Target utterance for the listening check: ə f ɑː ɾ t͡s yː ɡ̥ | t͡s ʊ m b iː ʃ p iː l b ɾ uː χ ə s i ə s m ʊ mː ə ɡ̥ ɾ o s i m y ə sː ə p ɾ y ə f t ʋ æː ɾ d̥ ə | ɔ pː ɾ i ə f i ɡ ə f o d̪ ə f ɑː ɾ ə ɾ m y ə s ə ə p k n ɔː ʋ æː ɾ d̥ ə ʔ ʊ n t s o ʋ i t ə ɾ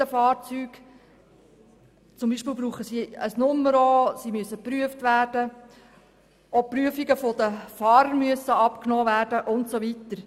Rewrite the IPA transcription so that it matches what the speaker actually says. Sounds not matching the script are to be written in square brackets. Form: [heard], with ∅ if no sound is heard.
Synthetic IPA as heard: ə f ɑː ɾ t͡s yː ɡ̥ | t͡s ʊ m b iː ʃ p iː l b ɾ uː χ ə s i ə s [n] ʊ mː ə [∅] ɾ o s i m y ə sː ə p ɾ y ə f t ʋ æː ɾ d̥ ə | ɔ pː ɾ [y] ə f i ɡ ə f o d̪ ə f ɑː ɾ ə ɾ m y ə s ə [ɑ] p k n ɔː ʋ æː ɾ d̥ ə ʔ ʊ n t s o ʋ i t ə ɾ

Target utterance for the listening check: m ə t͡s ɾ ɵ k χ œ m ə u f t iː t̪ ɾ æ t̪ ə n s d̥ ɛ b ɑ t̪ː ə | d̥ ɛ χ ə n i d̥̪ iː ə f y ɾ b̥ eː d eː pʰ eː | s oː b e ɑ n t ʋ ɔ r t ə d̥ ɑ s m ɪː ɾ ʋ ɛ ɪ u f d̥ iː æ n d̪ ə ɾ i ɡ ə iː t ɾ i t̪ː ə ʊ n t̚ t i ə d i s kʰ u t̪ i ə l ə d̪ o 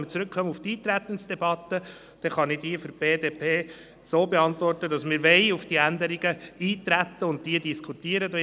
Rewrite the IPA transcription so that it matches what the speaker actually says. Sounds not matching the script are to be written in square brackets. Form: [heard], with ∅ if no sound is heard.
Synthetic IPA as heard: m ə t͡s ɾ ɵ k χ œ m ə u f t iː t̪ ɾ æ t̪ ə n s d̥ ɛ b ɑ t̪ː ə | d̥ ɛ χ [ɑ] n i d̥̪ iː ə f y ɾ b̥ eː d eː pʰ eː | s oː b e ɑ n t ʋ ɔ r t ə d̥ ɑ s m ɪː ɾ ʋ ɛ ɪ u f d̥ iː æ n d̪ ə ɾ i ɡ ə iː t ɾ [æ] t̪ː ə ʊ n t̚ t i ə d i s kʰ u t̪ i ə [ɾ] ə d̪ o

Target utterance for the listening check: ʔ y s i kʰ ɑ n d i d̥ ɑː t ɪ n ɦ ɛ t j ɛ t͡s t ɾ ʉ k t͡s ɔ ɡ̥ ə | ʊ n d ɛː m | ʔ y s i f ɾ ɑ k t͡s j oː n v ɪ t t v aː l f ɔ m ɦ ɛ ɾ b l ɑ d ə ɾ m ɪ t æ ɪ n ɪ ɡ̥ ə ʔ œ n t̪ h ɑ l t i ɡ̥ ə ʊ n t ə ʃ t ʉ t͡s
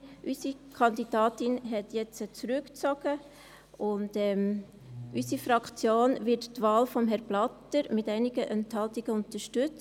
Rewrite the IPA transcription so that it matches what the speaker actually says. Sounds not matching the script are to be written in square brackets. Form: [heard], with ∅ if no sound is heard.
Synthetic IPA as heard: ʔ y s i kʰ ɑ n d i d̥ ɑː t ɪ n ɦ ɛ t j ɛ t͡s [t͡s] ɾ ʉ k t͡s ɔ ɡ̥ ə | ʊ n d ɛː m | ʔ y s i f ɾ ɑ k t͡s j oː n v ɪ t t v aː l f ɔ m ɦ ɛ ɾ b l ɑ [t] ə ɾ m ɪ t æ ɪ n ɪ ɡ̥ ə ʔ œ n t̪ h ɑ l t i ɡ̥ ə ʊ n t ə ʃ t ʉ t͡s

